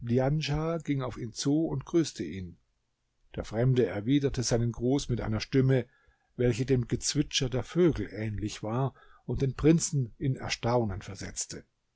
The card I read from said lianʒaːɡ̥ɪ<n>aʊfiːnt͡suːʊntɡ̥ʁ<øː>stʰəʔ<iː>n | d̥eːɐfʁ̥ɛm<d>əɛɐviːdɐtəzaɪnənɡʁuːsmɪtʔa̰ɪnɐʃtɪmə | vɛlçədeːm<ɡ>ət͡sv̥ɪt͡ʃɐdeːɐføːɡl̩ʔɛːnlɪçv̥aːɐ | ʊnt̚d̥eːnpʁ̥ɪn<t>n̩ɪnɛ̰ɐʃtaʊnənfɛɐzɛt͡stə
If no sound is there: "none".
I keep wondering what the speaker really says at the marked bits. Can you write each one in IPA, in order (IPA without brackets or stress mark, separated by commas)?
ŋ, yː, iː, d, ɡ, t͡s